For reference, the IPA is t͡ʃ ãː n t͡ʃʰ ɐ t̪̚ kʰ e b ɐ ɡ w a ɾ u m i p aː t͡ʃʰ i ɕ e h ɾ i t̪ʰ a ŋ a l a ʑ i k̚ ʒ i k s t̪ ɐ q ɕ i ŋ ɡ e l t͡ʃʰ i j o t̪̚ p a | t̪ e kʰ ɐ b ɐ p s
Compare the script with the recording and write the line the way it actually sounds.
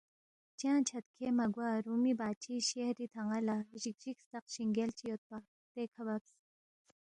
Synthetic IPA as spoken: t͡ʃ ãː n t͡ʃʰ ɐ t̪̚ kʰ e m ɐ ɡ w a ɾ u m i b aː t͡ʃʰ i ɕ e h ɾ i t̪ʰ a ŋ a l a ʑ i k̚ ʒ i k s t̪ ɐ q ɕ i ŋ ɡ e l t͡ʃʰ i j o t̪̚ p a | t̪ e kʰ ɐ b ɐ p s